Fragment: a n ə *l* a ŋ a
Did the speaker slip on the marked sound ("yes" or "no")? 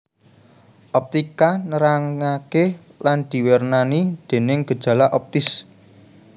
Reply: yes